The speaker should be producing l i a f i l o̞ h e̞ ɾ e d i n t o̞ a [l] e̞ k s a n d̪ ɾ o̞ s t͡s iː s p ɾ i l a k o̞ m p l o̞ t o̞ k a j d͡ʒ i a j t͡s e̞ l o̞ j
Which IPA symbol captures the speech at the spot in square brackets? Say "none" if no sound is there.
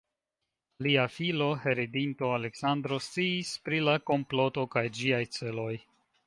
l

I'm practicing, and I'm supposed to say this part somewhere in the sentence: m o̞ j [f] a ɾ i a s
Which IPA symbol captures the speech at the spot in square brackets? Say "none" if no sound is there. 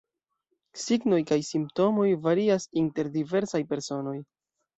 v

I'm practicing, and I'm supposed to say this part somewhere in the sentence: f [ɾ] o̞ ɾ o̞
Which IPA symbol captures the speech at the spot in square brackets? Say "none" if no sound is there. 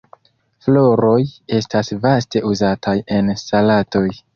l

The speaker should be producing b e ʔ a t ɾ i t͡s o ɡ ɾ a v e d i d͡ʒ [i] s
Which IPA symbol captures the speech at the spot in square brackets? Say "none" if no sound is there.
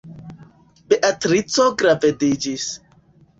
i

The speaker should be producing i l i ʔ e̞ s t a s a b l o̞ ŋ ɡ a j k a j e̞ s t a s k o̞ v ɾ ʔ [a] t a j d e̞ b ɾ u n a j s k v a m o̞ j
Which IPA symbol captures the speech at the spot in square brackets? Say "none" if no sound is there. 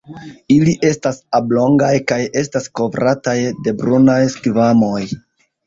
a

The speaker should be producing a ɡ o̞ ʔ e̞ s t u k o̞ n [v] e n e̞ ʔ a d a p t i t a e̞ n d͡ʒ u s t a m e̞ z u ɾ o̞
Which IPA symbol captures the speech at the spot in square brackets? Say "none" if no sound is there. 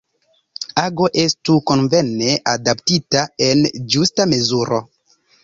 v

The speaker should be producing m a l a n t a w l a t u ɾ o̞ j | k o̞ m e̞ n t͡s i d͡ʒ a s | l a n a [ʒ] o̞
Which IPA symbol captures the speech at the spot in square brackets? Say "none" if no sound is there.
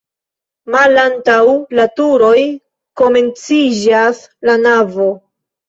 v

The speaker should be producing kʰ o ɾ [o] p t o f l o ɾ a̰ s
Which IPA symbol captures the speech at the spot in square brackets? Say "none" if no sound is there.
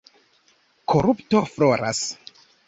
u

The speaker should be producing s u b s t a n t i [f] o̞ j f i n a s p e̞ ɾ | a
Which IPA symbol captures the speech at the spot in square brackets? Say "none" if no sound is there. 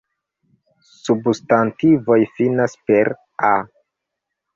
v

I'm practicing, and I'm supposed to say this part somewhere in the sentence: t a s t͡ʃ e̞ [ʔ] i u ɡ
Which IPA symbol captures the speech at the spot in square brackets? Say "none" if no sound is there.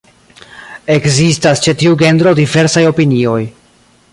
t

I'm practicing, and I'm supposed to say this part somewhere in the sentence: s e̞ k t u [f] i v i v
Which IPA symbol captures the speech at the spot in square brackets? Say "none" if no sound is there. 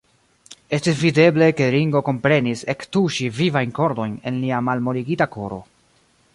ʃ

